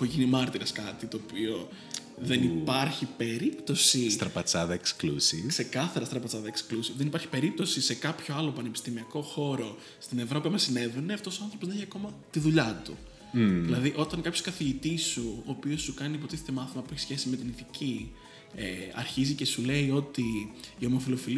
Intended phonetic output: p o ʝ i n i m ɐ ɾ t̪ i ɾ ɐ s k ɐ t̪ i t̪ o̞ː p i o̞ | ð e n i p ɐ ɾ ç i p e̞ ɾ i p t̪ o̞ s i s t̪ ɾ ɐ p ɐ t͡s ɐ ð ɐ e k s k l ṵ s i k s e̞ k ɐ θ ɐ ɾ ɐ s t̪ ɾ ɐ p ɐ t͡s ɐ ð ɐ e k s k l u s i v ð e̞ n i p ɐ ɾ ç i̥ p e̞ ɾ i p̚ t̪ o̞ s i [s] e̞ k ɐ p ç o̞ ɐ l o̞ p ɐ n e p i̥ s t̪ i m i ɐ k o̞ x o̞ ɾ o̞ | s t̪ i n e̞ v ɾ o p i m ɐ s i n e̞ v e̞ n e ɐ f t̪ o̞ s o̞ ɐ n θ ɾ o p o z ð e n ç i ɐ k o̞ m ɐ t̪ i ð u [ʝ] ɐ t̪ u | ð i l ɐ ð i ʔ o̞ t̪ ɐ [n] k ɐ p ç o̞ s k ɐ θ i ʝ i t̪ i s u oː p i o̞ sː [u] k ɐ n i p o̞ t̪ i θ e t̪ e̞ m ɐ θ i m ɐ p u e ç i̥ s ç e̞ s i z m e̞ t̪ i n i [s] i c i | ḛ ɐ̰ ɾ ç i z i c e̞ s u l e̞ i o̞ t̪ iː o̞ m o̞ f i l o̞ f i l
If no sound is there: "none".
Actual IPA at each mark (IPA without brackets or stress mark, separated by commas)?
s, ʎ, ŋ, u, θ